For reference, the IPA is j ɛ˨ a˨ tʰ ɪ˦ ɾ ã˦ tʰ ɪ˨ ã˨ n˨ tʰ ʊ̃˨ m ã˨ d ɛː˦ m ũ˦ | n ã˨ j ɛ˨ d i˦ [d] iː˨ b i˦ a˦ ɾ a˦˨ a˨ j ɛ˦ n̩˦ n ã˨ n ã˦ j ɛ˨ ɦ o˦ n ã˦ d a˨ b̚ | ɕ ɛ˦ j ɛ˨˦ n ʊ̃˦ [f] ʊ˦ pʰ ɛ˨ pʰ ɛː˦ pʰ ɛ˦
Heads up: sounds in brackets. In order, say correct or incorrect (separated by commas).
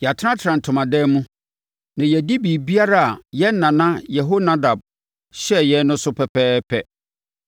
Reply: incorrect, incorrect